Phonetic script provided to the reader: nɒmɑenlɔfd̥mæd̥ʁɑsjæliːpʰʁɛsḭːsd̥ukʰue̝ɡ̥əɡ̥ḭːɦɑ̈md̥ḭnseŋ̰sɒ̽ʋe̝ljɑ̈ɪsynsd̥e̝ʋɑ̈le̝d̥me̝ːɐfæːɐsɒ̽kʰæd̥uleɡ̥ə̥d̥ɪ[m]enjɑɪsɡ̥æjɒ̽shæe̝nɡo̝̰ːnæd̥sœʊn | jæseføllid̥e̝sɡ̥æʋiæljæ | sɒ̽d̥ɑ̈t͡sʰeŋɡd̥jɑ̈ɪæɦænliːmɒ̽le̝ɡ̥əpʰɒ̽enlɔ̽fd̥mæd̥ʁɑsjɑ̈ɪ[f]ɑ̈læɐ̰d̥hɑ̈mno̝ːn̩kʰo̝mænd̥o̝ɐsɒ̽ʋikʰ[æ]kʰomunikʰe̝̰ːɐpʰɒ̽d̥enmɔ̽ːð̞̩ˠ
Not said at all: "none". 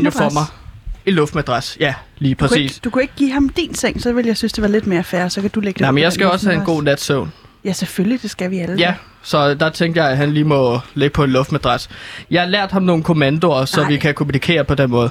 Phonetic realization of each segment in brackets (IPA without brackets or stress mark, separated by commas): m, h, æ